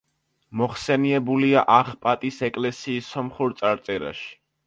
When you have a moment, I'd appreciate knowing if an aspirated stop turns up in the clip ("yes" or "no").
no